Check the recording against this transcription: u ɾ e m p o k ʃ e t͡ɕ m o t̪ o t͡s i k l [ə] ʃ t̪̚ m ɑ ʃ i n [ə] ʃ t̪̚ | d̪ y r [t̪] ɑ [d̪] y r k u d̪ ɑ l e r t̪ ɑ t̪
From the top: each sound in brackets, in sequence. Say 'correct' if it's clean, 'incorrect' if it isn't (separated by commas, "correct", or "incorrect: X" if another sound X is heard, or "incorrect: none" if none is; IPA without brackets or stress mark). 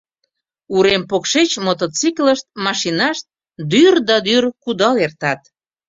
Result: correct, incorrect: ɑ, incorrect: d̪, correct